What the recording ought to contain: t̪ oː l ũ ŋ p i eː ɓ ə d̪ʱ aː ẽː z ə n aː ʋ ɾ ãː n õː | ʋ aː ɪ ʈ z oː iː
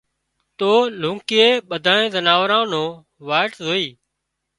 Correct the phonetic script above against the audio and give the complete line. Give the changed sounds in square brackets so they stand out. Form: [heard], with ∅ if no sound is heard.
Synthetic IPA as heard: t̪ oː l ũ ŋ [k] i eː ɓ ə d̪ʱ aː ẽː z ə n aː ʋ ɾ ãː n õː | ʋ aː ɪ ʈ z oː iː